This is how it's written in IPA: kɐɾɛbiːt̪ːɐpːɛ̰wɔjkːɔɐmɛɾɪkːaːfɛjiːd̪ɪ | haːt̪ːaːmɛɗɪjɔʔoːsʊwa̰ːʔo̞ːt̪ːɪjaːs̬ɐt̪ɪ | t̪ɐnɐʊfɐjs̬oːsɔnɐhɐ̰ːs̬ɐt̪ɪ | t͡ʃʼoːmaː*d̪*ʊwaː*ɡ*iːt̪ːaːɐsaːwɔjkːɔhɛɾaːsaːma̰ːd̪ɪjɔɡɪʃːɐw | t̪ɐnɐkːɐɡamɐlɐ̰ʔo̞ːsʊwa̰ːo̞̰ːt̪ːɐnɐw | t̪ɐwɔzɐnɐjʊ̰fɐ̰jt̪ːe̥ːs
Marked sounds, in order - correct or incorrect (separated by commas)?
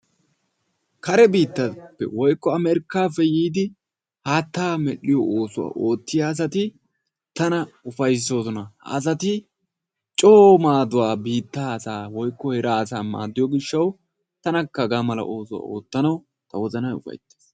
correct, incorrect